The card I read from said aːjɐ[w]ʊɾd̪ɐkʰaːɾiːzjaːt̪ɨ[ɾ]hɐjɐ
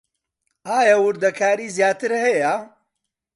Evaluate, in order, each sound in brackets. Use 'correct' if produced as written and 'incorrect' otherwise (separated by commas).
correct, correct